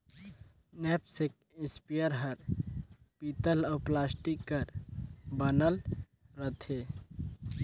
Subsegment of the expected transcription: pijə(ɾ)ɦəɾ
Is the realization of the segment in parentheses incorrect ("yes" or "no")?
no